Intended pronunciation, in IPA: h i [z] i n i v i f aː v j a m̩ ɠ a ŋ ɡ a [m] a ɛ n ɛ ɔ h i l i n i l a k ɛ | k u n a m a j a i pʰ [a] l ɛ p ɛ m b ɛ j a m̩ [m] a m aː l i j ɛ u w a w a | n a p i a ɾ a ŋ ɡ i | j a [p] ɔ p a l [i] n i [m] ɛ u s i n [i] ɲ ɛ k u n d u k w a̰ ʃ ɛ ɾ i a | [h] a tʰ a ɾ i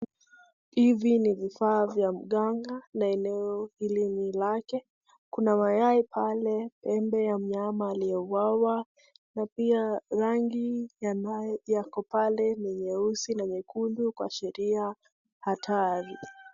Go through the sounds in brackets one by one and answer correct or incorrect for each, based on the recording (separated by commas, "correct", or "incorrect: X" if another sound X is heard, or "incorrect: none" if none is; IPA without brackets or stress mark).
incorrect: v, incorrect: n, correct, incorrect: ɲ, incorrect: k, incorrect: ɛ, incorrect: ɲ, incorrect: a, correct